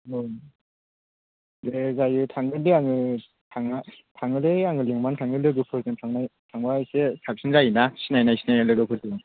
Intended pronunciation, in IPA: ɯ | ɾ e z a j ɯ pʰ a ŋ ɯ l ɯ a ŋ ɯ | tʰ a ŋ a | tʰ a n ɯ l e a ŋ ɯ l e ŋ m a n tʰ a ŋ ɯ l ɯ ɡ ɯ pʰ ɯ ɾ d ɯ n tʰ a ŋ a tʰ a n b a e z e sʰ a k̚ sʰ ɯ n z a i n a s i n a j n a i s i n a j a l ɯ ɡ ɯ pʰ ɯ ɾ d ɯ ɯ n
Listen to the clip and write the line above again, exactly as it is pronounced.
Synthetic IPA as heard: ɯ | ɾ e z a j ɯ tʰ a ŋ ɯ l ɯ a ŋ ɯ | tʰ a ŋ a | tʰ a ŋ ɯ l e a ŋ ɯ l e ŋ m a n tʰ a ŋ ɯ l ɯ ɡ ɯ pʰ ɯ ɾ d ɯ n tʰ a ŋ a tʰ a ŋ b a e s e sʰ a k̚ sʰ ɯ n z a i n a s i n a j n a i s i n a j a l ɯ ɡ ɯ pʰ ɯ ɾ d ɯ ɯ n